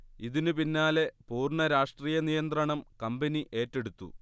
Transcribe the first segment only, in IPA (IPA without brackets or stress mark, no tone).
i